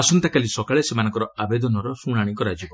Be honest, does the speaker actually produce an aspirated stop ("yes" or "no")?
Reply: no